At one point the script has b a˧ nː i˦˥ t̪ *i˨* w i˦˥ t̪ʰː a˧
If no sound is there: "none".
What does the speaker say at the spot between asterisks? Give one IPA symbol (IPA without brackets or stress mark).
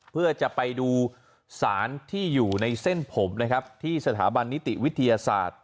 i˨